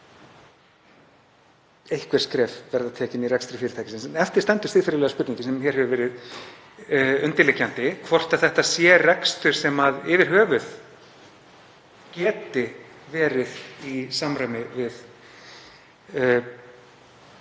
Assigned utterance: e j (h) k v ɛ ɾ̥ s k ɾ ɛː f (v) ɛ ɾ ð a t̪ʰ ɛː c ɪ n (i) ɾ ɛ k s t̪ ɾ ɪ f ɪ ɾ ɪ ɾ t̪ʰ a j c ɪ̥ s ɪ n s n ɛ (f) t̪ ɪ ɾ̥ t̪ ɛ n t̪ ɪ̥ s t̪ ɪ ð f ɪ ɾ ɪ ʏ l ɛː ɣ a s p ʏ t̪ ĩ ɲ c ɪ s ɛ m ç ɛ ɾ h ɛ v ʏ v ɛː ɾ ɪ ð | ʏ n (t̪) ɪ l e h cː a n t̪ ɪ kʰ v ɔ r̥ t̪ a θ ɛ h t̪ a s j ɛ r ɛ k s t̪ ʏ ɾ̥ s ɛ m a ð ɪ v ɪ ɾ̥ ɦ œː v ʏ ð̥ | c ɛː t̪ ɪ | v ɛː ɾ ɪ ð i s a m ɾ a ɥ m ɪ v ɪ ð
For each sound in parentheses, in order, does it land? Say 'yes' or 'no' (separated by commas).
yes, yes, yes, yes, yes